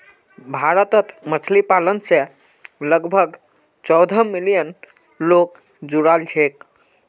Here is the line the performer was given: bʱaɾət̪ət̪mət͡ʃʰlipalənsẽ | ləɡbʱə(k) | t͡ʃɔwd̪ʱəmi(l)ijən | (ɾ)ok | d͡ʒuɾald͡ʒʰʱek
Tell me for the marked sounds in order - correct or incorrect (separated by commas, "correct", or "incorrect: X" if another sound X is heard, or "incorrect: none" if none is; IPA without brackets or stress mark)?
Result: incorrect: ɡ, correct, incorrect: l